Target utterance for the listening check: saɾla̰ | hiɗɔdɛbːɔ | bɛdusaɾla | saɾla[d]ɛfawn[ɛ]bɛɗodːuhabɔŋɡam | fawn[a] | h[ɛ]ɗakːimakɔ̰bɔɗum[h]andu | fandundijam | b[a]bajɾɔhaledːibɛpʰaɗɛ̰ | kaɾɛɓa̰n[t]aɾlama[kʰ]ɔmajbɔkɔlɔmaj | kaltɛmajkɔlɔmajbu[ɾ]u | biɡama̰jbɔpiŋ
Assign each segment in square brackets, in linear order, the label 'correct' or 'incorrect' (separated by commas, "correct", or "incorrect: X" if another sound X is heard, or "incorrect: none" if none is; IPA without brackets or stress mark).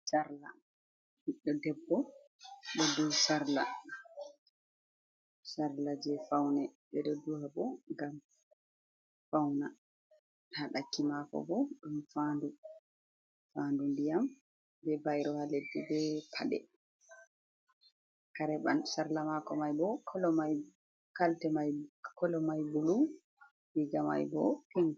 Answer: incorrect: d͡ʒ, correct, correct, incorrect: a, incorrect: f, incorrect: ɛ, incorrect: s, incorrect: k, incorrect: l